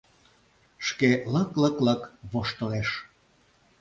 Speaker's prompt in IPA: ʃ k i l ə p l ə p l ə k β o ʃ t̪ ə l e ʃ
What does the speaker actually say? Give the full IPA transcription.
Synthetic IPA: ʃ k e l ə k l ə k l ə k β o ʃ t̪ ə l e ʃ